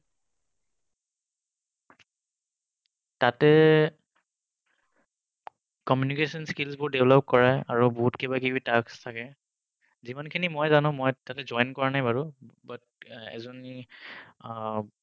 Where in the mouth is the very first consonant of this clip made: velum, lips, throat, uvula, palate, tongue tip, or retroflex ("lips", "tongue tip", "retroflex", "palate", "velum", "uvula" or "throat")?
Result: tongue tip